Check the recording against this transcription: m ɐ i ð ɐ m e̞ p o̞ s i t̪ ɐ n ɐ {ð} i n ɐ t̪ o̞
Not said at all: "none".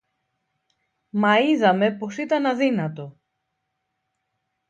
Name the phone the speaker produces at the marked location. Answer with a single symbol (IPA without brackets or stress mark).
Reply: ð